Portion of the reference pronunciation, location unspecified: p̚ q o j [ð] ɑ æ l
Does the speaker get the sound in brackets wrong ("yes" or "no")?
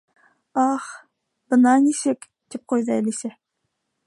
no